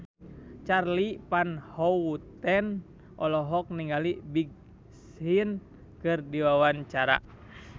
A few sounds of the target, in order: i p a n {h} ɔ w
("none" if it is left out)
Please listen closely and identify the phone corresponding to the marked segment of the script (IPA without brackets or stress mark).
h